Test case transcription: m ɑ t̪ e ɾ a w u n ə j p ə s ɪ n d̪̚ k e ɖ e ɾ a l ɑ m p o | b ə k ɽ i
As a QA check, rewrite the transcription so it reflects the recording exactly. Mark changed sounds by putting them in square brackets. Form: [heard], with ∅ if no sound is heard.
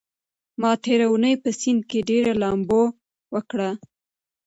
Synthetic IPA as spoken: m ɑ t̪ e ɾ a w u n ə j p ə s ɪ n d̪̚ k e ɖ e ɾ a l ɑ m [b] o | [w] ə k ɽ [a]